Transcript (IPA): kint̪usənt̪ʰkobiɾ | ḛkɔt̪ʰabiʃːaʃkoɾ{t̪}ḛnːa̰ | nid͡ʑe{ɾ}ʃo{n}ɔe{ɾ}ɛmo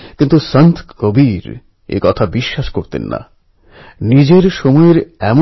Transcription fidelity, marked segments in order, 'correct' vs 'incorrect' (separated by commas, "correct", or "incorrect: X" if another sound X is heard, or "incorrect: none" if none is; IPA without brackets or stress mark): correct, correct, incorrect: m, correct